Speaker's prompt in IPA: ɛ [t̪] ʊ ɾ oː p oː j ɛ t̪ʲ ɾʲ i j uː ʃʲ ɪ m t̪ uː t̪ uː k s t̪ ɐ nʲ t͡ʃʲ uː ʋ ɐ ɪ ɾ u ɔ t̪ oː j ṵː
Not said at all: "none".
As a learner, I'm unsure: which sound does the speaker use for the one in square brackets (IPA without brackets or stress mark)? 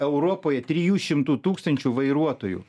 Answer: none